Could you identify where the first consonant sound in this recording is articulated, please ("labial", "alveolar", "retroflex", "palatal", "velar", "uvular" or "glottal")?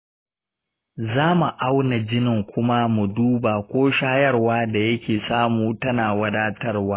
alveolar